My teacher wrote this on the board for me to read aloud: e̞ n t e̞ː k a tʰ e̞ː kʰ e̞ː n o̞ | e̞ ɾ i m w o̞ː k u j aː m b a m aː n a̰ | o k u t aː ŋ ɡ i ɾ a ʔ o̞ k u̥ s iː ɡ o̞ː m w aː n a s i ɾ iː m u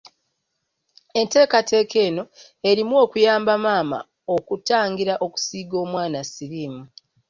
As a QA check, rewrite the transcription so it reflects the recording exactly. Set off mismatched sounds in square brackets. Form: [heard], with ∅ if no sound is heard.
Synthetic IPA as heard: e̞ n t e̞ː k a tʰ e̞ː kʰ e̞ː n o̞ | e̞ ɾ i m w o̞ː k u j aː m b a m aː [m] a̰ | o k u t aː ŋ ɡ i ɾ a ʔ o̞ k u̥ s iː ɡ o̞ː m w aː n a s i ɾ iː m u